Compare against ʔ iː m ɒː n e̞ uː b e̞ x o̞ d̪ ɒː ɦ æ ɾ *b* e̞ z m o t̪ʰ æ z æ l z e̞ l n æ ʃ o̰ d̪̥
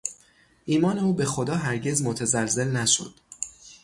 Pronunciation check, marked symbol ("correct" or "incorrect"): incorrect